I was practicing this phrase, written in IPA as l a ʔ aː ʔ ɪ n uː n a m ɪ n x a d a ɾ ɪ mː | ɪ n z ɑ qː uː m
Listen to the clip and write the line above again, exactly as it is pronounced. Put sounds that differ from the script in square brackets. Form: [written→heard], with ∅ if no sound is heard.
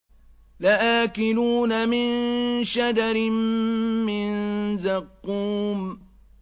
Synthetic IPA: l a ʔ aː [ʔ→k] ɪ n uː n a m ɪ n [x→ʃ] a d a ɾ ɪ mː | ɪ n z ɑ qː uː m